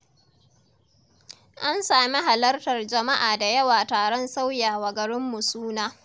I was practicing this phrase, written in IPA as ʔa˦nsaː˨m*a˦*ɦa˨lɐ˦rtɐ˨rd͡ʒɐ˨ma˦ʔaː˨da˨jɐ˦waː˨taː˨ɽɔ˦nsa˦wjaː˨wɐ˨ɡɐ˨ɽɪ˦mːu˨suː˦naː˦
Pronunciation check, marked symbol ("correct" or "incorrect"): incorrect